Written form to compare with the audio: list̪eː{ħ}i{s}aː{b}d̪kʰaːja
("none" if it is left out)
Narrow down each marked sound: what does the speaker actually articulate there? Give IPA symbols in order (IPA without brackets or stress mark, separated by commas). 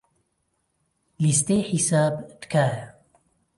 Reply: ħ, s, b